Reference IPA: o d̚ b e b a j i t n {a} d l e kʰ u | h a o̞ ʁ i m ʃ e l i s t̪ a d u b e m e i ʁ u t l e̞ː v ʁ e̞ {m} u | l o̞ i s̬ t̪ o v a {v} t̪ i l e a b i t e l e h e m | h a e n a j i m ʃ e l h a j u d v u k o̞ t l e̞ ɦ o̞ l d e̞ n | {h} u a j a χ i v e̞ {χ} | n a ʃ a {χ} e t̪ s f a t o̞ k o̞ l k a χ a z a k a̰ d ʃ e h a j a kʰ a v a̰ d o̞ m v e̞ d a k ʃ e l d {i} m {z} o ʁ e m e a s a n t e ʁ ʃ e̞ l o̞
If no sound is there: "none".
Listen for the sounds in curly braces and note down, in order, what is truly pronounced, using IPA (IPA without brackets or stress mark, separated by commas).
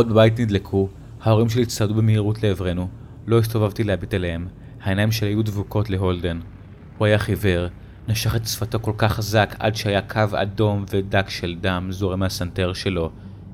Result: i, n, v, h, ʁ, χ, a, z